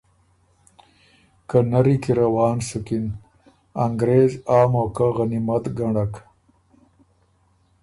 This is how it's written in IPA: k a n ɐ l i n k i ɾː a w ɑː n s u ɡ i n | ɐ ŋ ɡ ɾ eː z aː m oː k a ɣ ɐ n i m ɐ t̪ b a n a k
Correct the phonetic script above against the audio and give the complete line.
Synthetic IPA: k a n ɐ ɾ i k i ɾ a w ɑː n s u k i n | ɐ ŋ ɡ ɾ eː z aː m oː k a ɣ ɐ n i m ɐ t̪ ɡ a ɳ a k